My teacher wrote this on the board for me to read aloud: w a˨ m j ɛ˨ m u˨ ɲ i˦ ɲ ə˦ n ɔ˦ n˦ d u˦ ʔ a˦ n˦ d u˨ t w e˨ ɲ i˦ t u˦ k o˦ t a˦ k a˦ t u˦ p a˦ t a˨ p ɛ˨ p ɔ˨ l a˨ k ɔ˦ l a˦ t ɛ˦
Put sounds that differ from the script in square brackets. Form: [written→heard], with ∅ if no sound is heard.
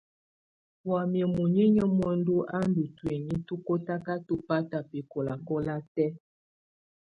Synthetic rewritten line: w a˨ m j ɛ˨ m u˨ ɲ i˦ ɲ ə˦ [n→m] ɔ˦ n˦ d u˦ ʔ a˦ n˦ d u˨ t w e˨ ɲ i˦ t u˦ k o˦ t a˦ k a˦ t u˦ p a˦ t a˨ p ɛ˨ [p→k] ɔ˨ l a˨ k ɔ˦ l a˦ t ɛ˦